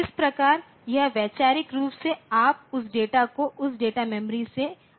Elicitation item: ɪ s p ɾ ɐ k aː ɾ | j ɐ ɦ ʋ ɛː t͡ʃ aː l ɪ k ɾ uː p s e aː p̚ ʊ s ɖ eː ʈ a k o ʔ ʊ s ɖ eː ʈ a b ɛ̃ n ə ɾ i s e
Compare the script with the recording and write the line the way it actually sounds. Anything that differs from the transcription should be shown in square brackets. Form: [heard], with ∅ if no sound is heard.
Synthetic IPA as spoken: ɪ s p ɾ ɐ k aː ɾ | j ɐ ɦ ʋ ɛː t͡ʃ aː [ɾ] ɪ k ɾ uː p s e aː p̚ ʊ s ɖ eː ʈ a k o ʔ ʊ s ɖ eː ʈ a [m] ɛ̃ [m] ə ɾ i s e